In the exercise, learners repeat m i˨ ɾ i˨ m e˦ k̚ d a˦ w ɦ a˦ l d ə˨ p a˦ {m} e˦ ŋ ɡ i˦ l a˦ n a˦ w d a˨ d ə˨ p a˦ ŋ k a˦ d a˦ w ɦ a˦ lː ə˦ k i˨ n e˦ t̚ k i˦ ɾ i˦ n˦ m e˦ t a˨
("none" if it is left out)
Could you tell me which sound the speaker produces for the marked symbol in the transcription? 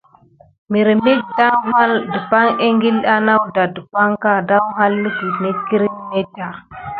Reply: ŋ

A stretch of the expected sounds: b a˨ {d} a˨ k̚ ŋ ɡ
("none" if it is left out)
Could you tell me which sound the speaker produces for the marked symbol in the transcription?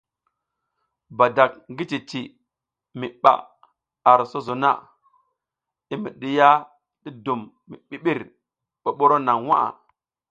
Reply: d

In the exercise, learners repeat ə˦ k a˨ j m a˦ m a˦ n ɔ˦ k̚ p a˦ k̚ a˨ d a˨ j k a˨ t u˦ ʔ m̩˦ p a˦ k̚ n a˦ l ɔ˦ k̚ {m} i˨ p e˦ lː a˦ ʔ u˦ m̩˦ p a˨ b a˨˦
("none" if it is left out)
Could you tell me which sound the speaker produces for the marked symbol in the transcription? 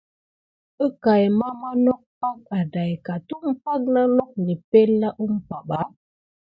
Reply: n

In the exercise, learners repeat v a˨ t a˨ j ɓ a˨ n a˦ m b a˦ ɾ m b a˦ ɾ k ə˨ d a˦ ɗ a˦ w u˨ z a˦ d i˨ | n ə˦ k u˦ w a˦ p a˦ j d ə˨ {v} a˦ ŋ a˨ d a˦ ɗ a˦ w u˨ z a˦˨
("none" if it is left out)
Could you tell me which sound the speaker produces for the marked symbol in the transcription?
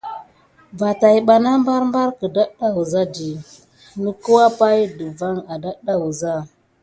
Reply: v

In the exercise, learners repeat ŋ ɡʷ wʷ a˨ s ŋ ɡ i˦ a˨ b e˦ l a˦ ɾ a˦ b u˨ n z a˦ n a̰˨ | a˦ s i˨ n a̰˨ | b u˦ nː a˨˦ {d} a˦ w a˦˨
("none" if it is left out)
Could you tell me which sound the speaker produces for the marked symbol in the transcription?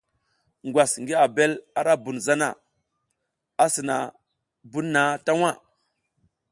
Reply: t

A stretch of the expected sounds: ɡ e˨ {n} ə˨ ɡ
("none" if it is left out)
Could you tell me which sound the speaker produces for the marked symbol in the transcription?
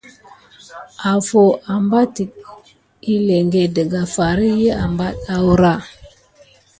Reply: d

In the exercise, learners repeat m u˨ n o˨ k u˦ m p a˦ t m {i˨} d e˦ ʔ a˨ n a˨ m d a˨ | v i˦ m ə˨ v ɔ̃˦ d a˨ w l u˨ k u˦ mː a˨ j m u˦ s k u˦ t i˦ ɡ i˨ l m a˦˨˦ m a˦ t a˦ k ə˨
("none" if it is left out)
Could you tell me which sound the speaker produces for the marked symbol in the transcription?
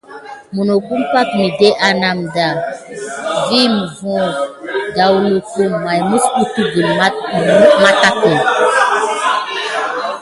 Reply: i˨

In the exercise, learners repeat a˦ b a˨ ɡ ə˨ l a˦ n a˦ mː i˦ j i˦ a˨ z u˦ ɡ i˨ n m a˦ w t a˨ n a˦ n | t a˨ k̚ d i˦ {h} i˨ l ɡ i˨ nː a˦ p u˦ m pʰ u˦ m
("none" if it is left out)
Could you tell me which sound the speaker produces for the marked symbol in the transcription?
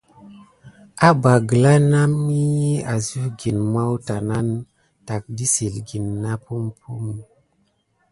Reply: s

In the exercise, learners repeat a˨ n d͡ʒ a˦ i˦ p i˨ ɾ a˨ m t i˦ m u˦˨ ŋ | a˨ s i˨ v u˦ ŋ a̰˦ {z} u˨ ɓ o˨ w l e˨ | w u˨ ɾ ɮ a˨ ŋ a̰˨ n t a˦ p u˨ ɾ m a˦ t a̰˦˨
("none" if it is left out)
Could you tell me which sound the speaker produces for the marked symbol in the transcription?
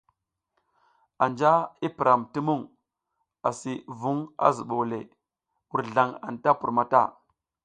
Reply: z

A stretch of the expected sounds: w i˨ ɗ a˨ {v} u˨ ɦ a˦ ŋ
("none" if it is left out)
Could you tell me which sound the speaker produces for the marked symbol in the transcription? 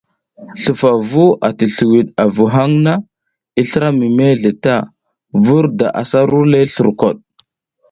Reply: v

